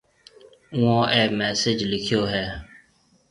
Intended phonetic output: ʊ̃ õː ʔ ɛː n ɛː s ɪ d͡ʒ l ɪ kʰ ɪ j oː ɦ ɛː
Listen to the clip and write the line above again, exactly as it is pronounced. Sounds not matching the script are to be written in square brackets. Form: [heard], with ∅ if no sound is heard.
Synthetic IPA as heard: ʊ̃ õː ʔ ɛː [m] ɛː s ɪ d͡ʒ l ɪ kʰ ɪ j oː ɦ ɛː